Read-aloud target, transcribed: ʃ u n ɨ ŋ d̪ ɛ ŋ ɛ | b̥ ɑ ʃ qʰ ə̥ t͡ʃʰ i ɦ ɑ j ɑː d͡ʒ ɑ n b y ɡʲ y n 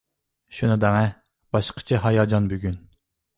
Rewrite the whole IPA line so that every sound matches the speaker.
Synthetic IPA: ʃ u n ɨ d̪ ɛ ŋ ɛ | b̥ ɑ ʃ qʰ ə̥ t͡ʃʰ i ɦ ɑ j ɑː d͡ʒ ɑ n b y ɡʲ y n